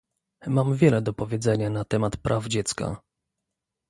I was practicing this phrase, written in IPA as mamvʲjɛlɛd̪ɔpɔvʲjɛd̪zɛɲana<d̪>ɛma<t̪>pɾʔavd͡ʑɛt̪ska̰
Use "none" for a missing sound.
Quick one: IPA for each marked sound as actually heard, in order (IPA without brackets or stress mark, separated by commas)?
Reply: t̪, t̪